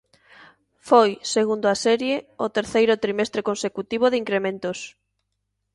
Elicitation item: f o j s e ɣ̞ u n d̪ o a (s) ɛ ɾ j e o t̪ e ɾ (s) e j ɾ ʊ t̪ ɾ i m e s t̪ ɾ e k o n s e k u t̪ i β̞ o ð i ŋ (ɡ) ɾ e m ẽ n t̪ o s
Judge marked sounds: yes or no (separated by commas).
yes, no, no